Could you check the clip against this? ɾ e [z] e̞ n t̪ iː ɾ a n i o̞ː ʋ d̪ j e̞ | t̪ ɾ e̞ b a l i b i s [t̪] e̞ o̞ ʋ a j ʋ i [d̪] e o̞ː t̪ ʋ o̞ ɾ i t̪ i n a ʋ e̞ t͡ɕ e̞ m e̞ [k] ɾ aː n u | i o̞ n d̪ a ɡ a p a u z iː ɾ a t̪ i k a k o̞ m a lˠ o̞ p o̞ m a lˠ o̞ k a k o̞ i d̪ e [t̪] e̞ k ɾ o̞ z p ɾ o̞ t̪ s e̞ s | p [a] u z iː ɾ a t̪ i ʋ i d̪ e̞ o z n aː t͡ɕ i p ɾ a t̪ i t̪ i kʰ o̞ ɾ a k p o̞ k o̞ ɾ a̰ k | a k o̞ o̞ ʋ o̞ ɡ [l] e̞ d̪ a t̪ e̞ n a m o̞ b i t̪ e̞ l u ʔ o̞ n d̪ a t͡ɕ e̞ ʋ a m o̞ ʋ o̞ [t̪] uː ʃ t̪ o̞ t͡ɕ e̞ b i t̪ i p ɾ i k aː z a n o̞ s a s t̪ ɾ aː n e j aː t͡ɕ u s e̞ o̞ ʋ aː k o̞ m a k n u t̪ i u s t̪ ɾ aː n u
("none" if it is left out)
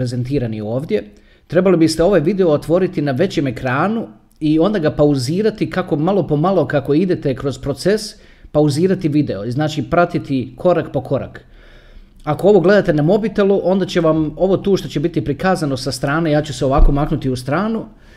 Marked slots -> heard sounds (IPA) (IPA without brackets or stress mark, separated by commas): z, t̪, d̪, k, t̪, a, l, t̪